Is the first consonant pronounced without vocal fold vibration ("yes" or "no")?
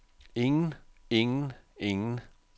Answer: no